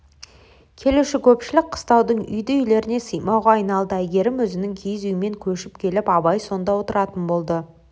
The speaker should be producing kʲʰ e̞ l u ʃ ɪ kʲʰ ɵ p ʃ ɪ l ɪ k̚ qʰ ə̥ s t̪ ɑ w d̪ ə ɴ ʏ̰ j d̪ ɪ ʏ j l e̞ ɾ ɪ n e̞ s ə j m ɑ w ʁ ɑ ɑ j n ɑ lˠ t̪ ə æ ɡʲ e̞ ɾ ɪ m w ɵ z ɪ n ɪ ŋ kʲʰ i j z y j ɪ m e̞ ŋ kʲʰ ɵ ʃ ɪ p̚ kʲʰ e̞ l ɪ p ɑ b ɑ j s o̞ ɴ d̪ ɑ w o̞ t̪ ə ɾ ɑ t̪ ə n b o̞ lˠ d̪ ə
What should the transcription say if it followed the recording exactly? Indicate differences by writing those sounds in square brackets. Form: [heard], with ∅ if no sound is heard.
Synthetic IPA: kʲʰ e̞ l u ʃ ɪ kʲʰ ɵ p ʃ ɪ l ɪ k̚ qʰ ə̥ s t̪ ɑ w d̪ ə ɴ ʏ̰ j d̪ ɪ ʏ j l e̞ ɾ ɪ n e̞ s ə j m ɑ w ʁ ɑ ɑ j n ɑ lˠ [d̪] ə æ ɡʲ e̞ ɾ ɪ m w ɵ z ɪ n ɪ ŋ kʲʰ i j z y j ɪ m e̞ ŋ kʲʰ ɵ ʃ ɪ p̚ kʲʰ e̞ l ɪ p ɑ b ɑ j s o̞ [n] d̪ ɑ w o̞ t̪ ə ɾ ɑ t̪ ə n b o̞ lˠ d̪ ə